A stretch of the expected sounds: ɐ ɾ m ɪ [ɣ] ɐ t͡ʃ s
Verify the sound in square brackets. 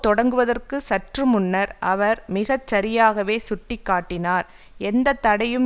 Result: correct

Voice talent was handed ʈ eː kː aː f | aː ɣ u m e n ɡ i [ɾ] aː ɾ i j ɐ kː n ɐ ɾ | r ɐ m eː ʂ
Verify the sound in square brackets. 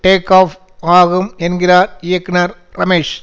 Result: incorrect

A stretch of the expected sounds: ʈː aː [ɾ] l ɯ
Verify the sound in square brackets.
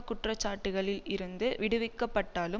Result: incorrect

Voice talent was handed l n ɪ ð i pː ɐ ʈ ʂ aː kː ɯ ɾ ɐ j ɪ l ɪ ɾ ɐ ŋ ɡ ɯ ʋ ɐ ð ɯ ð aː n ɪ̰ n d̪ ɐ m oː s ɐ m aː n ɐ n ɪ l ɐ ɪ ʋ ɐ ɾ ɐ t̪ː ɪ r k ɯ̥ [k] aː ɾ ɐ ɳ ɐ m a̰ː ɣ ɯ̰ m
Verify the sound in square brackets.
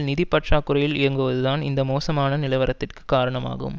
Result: correct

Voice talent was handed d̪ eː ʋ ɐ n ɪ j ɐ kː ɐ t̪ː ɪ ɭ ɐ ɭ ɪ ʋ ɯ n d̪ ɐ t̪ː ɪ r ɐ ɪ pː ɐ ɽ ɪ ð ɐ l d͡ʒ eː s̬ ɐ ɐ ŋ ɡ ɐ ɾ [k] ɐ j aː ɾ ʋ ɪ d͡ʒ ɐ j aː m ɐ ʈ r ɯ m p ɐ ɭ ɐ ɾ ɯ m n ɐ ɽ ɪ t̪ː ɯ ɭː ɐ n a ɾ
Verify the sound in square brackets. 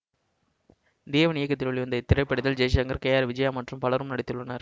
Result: correct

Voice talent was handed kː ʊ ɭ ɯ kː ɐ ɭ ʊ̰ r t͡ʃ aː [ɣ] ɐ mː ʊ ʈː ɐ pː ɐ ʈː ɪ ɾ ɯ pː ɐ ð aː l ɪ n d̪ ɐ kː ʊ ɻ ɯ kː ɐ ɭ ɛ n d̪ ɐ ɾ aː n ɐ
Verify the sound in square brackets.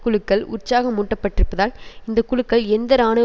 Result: correct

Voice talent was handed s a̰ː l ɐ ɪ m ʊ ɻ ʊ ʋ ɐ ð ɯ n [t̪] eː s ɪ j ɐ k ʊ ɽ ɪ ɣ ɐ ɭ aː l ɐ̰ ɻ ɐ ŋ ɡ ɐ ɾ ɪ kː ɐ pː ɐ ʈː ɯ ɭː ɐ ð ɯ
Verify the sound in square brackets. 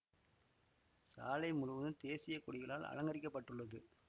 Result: correct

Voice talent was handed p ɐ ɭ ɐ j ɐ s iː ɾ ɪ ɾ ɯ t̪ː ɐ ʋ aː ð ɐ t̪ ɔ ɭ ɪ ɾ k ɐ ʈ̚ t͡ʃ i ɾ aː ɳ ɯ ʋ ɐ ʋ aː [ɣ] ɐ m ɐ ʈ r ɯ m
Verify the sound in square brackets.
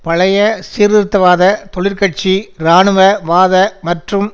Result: incorrect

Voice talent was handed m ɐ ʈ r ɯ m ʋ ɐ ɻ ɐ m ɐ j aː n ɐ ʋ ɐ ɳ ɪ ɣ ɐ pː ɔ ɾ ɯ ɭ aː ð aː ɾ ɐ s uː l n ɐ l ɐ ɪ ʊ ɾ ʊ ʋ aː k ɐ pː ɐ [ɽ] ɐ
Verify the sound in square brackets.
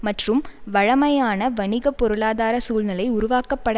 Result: correct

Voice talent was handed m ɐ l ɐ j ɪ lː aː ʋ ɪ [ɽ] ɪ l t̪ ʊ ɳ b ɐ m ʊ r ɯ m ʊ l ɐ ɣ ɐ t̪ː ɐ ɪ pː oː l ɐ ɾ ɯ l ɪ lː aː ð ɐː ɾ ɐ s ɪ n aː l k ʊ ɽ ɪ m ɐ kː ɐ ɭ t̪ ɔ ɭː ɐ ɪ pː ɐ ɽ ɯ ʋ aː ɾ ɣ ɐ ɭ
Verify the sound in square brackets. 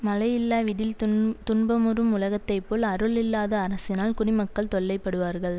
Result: correct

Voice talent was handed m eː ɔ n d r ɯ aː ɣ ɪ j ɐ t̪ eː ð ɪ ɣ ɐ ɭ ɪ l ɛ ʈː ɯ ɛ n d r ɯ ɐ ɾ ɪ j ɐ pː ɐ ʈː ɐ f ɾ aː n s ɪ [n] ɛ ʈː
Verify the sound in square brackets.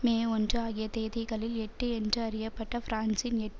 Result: correct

